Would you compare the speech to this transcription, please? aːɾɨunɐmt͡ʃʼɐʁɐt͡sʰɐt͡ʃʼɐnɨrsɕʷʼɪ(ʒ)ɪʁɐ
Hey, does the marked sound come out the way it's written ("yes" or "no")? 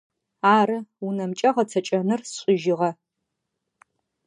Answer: yes